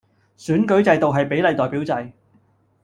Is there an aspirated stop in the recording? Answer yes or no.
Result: no